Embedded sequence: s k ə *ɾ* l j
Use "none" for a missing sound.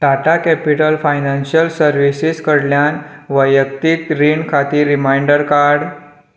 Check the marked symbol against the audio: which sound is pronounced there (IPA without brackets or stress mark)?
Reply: ɽ